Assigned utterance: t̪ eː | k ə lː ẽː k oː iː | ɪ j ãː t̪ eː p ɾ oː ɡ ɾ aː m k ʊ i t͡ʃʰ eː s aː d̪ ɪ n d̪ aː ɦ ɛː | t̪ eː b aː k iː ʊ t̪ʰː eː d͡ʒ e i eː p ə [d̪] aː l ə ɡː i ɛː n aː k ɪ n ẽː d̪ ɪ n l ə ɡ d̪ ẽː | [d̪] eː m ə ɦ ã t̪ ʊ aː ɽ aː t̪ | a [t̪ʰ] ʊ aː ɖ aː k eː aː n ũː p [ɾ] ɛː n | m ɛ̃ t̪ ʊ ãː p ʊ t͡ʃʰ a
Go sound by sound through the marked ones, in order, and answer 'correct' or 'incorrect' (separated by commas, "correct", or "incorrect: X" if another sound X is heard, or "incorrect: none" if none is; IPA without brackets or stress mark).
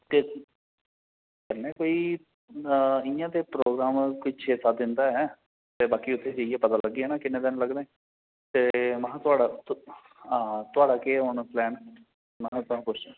incorrect: t̪, incorrect: t̪, incorrect: t̪, incorrect: l